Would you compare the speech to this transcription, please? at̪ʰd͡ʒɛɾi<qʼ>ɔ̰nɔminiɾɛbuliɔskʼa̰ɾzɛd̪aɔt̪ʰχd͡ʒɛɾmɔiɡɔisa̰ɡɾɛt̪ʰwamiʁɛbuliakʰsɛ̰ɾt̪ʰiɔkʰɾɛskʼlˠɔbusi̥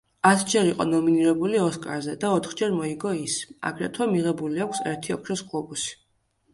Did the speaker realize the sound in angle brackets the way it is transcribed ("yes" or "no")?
yes